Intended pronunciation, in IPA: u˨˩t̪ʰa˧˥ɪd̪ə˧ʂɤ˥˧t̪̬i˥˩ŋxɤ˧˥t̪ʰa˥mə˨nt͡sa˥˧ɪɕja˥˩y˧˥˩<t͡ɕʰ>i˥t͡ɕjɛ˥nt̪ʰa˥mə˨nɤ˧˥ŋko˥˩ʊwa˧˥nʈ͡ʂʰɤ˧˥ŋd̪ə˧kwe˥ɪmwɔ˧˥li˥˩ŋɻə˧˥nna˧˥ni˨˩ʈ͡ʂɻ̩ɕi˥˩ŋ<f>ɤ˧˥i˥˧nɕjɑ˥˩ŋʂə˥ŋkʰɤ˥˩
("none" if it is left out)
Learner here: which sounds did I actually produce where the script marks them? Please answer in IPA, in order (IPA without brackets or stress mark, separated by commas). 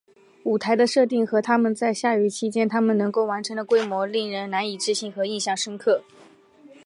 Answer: t͡ɕʰ, x